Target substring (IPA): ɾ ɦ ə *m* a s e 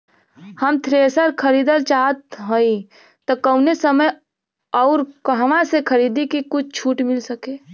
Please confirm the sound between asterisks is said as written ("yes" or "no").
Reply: yes